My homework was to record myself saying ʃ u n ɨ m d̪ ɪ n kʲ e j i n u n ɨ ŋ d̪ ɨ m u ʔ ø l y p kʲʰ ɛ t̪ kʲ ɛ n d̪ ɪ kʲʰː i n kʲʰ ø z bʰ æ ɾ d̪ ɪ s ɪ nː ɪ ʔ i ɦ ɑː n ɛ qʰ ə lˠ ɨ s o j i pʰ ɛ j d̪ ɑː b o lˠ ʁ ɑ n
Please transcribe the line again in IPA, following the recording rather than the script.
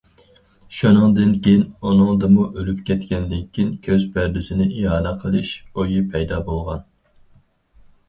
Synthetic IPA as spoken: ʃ u n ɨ ŋ d̪ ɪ n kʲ e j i n u n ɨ ŋ d̪ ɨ m u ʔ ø l y p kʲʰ ɛ t̪ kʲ ɛ n d̪ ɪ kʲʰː i n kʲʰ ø z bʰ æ ɾ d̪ ɪ s ɪ n ɪ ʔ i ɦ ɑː n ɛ qʰ ə lˠ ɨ ʃ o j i pʰ ɛ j d̪ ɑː b o lˠ ʁ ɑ n